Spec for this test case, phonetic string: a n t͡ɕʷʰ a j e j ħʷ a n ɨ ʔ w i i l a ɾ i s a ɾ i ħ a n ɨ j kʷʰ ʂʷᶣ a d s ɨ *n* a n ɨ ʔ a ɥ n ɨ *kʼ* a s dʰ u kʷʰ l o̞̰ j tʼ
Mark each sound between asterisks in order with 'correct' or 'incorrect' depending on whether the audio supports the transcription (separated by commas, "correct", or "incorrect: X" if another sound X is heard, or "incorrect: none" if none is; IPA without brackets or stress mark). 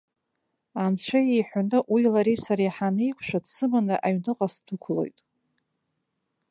incorrect: m, incorrect: qʼ